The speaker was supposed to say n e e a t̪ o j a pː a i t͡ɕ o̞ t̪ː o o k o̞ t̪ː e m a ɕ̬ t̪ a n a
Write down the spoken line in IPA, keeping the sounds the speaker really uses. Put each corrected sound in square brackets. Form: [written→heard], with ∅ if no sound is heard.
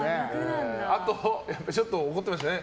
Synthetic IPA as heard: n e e a t̪ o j a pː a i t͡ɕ o̞ t̪ː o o k o̞ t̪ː e m a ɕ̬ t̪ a n [a→e]